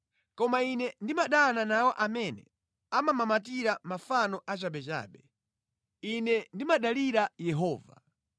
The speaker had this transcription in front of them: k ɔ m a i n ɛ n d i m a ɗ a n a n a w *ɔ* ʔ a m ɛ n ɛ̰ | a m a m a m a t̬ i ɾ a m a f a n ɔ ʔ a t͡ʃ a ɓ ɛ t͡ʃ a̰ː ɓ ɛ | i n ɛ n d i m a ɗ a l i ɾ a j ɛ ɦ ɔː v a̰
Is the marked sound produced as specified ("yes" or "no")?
yes